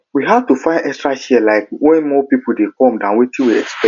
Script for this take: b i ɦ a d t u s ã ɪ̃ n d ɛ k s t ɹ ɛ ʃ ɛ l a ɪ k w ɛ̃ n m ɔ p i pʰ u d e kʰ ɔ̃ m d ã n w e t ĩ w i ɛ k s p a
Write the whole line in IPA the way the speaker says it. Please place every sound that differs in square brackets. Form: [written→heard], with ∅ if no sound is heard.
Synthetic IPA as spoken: [b→w] i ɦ a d t u [s→f] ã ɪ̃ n d ɛ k s t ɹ [ɛ→a] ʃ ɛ l a ɪ k w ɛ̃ n m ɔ p i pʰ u d e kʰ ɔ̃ m d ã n w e t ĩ w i ɛ k s p [a→ɛ]